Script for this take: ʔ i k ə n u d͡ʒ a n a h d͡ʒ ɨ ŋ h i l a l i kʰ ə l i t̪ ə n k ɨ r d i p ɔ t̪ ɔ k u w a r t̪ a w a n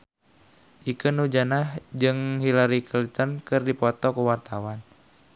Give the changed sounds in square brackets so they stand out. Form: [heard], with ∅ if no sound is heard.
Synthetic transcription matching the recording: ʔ i k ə n u d͡ʒ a n a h d͡ʒ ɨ ŋ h i l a [ɾ] i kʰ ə l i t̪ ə n k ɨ r d i p ɔ t̪ ɔ k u w a r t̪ a w a n